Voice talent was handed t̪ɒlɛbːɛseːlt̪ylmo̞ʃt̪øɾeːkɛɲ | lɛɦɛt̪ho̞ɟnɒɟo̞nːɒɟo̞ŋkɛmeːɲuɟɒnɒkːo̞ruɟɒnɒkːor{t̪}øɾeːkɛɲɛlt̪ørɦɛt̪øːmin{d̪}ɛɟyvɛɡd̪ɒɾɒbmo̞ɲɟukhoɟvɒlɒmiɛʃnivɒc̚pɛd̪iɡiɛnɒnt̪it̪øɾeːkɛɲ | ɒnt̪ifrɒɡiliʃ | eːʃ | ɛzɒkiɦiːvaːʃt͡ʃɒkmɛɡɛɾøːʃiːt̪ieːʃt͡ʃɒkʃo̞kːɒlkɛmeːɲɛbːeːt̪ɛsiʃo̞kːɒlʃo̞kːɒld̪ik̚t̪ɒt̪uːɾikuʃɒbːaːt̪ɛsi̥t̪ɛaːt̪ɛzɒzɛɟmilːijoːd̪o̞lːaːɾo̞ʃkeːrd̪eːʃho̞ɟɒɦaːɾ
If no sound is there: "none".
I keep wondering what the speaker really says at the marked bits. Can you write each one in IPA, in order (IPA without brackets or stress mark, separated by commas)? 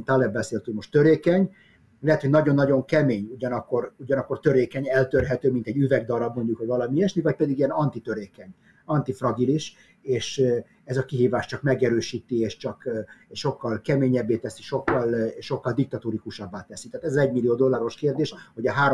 t̪, t̪